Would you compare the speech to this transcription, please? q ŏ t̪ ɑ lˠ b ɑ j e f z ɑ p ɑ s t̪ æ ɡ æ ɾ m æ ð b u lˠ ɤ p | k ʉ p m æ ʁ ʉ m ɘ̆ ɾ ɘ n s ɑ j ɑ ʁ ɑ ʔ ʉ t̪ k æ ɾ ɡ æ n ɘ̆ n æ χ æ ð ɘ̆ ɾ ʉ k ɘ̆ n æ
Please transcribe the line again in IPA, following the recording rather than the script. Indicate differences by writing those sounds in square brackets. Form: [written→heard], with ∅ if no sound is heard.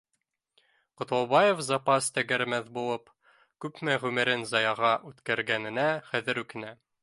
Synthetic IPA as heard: q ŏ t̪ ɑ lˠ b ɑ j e f z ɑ p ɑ s t̪ æ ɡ æ ɾ m æ ð b u lˠ ɤ p | k ʉ p m æ ʁ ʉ m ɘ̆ ɾ ɘ n [s→z] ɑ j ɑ ʁ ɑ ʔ ʉ t̪ k æ ɾ ɡ æ n ɘ̆ n æ χ æ ð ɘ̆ ɾ ʉ k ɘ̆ n æ